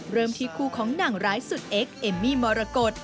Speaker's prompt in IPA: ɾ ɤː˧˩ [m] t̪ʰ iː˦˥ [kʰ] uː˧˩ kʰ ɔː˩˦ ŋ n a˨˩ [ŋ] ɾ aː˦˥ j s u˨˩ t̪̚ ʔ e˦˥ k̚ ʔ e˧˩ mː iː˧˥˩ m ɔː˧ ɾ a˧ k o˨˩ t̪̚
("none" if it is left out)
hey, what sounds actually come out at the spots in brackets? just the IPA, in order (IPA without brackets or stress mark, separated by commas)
m, kʰ, ŋ